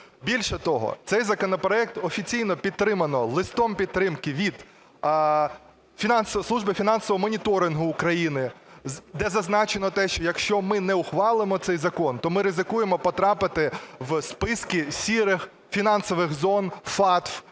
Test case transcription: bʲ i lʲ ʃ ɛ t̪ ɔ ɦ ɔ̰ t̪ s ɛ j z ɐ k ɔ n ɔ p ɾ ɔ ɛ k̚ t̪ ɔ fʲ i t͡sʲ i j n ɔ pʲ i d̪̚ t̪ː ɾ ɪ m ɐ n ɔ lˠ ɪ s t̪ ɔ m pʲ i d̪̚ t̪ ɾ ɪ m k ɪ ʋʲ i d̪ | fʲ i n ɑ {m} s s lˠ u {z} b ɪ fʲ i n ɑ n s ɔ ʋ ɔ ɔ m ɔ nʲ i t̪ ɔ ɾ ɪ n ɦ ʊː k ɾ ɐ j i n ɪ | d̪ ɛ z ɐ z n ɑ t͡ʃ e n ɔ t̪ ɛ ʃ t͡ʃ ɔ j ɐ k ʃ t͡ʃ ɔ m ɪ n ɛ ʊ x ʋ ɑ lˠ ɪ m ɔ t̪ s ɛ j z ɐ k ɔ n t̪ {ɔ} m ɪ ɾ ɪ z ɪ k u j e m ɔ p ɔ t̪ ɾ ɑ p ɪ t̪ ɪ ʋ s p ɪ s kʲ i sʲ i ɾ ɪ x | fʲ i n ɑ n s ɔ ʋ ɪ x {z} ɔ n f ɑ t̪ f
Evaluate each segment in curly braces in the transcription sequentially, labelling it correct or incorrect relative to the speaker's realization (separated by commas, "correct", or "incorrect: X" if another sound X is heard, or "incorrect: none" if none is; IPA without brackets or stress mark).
incorrect: n, incorrect: ʒ, correct, correct